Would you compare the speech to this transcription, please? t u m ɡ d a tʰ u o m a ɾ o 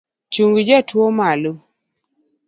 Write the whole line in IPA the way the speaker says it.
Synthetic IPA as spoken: t͡ʃ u ŋ ɡ d͡ʒ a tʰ w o m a l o